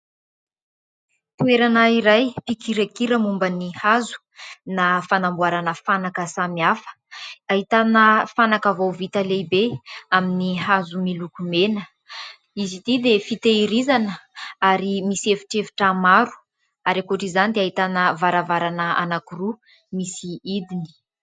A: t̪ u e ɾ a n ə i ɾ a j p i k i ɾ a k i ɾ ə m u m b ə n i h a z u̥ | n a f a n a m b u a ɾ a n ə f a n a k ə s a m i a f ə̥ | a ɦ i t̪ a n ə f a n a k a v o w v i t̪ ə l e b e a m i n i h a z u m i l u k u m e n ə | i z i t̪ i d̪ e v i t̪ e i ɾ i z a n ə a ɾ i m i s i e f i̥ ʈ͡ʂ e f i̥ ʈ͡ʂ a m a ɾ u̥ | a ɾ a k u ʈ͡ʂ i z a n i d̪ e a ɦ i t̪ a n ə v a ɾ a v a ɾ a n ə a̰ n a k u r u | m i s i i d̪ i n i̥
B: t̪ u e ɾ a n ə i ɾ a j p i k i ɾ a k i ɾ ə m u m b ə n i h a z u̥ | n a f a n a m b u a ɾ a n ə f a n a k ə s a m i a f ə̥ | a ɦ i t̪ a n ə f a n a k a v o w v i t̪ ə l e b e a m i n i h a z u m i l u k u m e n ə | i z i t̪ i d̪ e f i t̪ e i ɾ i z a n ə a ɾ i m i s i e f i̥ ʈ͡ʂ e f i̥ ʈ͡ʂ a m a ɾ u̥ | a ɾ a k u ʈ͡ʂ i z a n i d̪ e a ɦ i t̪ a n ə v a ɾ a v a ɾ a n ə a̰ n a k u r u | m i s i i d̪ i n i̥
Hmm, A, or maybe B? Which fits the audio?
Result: B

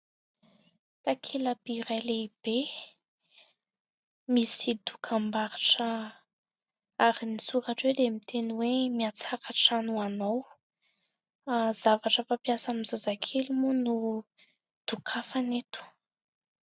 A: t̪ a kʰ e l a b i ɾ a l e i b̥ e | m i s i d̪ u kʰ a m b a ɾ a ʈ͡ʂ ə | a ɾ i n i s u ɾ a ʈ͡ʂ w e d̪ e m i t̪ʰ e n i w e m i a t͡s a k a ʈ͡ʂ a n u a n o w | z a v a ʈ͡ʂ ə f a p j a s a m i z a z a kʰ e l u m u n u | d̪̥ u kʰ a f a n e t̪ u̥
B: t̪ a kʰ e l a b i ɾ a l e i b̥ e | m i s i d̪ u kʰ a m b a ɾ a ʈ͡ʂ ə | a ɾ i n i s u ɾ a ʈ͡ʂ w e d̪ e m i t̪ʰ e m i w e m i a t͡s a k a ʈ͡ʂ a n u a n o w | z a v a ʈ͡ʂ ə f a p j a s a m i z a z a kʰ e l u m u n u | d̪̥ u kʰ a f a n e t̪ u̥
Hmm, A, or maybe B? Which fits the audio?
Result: A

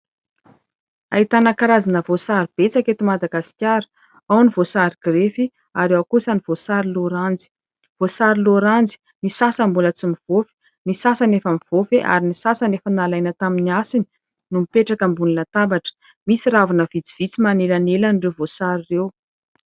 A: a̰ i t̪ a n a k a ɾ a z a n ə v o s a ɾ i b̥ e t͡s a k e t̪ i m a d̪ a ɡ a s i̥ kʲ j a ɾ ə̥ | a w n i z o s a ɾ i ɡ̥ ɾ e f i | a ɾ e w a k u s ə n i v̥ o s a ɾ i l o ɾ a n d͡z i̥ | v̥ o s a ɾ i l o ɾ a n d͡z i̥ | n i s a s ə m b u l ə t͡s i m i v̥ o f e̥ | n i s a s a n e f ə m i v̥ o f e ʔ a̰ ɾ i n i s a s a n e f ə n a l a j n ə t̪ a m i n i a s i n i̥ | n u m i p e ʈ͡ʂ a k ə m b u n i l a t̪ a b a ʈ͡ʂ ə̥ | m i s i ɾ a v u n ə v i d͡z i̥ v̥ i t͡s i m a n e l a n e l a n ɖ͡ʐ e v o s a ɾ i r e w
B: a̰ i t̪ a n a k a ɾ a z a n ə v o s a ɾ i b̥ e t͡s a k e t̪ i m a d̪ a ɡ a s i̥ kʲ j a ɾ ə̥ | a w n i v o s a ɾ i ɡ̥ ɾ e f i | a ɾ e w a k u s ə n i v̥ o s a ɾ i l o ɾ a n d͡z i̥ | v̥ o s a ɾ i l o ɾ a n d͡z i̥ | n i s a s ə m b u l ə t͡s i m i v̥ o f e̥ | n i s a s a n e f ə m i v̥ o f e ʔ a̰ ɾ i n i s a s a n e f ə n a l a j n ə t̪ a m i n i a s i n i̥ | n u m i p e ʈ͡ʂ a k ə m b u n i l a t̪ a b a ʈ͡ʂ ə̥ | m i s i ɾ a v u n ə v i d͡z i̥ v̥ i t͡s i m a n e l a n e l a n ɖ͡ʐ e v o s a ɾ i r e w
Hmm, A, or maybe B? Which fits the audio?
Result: B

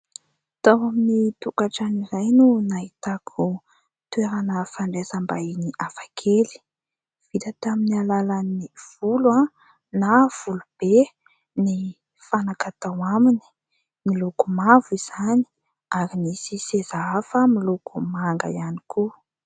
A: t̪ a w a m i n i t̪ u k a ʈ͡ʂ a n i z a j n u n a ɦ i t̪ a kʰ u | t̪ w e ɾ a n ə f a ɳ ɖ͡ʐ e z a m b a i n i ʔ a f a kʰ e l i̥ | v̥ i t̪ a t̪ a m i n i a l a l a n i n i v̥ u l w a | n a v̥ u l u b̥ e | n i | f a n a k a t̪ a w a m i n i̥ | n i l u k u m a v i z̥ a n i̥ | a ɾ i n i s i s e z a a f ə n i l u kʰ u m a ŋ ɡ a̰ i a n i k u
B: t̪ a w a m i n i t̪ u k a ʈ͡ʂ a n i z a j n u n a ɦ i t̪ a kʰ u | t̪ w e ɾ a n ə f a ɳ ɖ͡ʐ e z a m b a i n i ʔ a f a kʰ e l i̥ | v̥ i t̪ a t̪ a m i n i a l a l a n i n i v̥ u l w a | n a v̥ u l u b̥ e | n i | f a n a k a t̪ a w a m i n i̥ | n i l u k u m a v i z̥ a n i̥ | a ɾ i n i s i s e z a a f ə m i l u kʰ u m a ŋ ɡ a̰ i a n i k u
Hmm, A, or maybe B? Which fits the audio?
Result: B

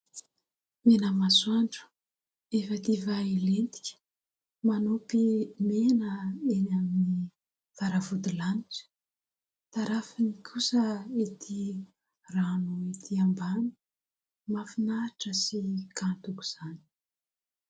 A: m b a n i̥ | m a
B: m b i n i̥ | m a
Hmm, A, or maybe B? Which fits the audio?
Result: A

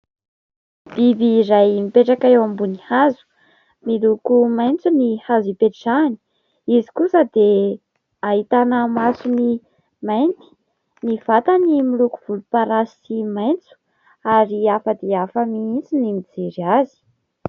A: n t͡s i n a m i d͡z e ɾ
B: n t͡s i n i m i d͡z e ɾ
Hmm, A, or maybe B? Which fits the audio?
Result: B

